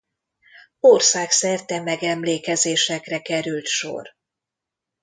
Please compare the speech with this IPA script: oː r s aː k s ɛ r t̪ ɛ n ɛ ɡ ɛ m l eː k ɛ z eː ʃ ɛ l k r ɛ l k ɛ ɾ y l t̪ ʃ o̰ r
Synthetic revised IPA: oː r s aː k s ɛ r t̪ ɛ m ɛ ɡ ɛ m l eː k ɛ z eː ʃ ɛ k r ɛ k ɛ ɾ y l t̪ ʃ o̰ r